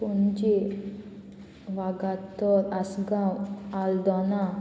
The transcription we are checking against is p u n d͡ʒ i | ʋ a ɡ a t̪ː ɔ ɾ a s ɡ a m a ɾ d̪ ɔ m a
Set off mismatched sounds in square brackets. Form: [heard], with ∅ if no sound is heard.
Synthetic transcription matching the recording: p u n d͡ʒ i | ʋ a ɡ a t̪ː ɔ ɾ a s ɡ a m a [l] d̪ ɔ [n] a